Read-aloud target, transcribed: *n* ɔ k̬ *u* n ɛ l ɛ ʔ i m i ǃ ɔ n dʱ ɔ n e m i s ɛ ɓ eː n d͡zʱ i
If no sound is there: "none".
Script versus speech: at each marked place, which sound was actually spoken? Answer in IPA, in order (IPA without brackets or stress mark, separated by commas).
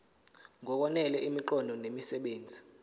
ŋ, ɔ